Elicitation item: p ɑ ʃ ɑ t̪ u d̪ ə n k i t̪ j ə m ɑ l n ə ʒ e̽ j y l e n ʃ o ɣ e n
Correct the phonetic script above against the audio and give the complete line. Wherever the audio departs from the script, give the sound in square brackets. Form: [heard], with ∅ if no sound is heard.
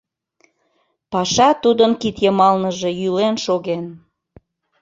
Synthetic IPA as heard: p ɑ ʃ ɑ t̪ u d̪ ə n k i t̪ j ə m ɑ l n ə ʒ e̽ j y l e n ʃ o ɣ e n